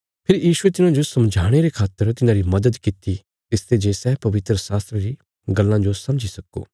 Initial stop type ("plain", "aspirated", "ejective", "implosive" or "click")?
aspirated